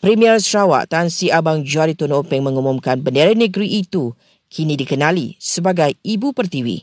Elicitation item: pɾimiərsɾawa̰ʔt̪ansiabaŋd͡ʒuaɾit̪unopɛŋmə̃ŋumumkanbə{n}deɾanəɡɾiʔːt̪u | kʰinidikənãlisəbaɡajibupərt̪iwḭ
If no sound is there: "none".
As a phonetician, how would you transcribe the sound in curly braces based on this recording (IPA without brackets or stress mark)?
n